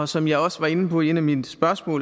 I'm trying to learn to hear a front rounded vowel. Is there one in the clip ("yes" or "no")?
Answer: yes